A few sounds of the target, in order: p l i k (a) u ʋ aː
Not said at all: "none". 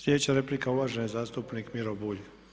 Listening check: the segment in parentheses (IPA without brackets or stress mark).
a